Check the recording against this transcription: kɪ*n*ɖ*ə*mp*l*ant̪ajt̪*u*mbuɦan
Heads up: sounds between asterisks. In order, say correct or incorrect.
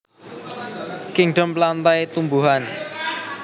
incorrect, correct, correct, correct

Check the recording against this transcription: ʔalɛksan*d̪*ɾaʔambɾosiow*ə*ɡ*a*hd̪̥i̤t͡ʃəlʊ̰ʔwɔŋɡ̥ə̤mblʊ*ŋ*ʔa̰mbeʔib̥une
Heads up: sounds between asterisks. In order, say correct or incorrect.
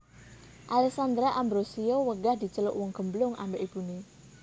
correct, correct, correct, correct

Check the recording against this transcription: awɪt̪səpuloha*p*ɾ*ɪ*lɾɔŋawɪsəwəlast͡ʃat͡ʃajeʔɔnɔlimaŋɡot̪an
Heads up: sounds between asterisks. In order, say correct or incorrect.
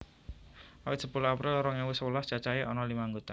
correct, correct

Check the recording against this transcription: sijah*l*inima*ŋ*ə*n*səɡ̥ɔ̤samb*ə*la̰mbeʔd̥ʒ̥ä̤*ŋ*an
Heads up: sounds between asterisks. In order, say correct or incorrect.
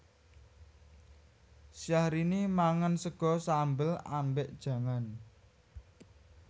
incorrect, correct, correct, correct, correct

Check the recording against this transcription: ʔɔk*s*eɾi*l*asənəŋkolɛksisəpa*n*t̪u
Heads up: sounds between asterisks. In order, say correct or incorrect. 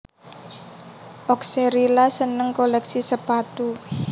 correct, correct, incorrect

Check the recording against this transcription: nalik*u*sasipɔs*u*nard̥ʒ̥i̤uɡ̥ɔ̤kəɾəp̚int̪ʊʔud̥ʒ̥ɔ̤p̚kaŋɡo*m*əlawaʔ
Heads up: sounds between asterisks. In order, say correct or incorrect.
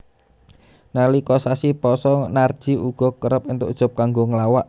incorrect, incorrect, incorrect

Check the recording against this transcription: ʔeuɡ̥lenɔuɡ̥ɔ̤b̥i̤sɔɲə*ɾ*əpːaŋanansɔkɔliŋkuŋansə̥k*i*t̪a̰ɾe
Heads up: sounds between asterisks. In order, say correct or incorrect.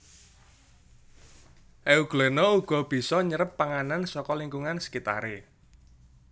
correct, correct

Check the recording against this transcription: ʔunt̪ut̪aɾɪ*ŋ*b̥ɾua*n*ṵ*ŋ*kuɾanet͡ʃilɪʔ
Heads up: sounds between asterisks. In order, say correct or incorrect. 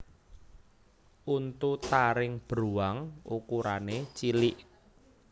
correct, incorrect, incorrect

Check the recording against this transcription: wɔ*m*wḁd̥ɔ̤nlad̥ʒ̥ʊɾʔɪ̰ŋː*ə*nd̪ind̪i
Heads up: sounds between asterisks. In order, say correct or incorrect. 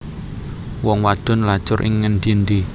incorrect, correct

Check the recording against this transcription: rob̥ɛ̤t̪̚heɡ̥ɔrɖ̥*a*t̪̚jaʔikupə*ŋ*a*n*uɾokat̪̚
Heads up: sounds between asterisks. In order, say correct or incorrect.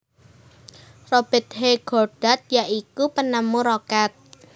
correct, incorrect, incorrect

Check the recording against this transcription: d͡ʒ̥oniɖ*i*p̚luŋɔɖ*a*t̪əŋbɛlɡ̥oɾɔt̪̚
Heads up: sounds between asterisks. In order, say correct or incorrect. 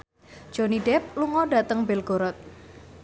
incorrect, correct

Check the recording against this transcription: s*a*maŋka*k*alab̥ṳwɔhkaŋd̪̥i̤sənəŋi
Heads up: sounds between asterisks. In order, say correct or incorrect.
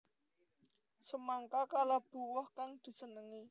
incorrect, correct

